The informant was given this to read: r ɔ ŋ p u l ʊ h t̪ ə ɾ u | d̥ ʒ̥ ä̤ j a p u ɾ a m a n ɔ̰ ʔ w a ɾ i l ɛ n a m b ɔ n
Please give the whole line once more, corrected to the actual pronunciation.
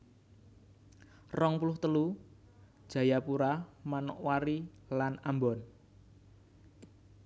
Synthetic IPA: r ɔ ŋ p u l ʊ h t̪ ə l u | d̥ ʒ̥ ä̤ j a p u ɾ a m a n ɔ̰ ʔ w a ɾ i l a n a m b ɔ n